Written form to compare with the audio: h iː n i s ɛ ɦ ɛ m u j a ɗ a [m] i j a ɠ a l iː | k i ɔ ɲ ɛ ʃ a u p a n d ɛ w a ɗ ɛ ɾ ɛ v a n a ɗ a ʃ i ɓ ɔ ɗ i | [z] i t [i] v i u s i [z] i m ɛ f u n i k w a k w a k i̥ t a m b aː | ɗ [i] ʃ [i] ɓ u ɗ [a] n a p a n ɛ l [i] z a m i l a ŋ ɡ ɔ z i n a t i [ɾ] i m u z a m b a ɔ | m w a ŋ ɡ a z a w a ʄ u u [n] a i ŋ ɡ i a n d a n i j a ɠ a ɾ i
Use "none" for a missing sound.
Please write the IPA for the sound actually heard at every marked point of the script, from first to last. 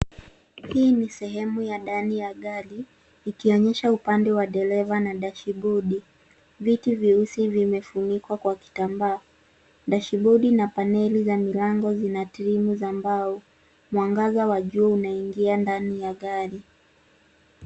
n, v, i, v, a, i, i, i, ɾ, n

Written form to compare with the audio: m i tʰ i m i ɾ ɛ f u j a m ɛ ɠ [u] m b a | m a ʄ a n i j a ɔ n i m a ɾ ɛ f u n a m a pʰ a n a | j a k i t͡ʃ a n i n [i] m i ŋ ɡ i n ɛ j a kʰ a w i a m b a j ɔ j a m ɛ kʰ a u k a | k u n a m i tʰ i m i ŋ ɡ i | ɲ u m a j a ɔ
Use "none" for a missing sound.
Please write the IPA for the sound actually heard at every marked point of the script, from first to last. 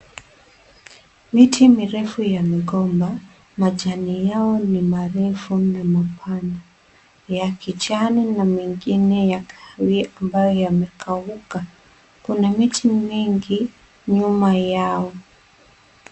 ɔ, a

